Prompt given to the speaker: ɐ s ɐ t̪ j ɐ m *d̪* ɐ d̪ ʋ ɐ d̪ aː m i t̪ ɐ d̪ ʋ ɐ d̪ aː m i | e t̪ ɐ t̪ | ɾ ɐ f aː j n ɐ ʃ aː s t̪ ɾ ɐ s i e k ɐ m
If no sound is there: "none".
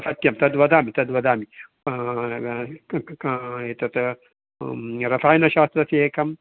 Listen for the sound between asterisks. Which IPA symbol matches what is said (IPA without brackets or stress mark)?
t̪